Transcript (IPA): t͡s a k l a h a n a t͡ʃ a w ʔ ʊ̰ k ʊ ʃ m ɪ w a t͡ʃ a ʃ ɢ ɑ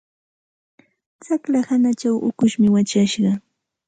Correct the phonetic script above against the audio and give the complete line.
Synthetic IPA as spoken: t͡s a k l a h a n a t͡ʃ a w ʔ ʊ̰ k ʊ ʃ m ɪ w a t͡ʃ a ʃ ɢ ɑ

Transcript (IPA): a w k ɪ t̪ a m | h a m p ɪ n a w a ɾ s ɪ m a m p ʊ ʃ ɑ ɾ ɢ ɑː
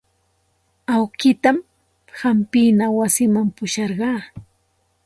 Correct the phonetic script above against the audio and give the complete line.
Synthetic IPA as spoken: a w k ɪ t̪ a m | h a m p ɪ n a w a s ɪ m a m p ʊ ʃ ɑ ɾ ɢ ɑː

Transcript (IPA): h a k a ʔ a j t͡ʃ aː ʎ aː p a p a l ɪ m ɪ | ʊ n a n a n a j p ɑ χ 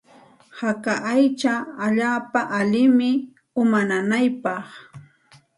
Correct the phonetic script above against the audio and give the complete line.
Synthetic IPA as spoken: h a k a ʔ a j t͡ʃ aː ʎ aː p a ʔ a l ɪ m ɪ | ʊ m a n a n a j p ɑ χ

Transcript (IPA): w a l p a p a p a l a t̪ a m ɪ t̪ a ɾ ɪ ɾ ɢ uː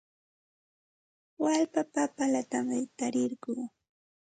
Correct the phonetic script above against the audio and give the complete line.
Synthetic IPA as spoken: w a l p a p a p a l a t̪ a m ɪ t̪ a ɾ ɪ ɾ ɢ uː

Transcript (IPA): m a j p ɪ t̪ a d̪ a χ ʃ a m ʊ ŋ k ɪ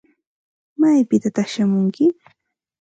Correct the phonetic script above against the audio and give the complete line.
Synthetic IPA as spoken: m a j p ɪ t̪ a t̪ a χ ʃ a m ʊ ŋ k ɪ

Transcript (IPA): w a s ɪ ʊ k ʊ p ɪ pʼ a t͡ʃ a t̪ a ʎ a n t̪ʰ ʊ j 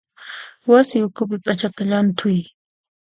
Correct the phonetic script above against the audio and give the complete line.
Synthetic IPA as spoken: w a s ɪ ʊ k ʊ p ɪ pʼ a t͡ʃ a t̪ a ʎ a n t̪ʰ ʊ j

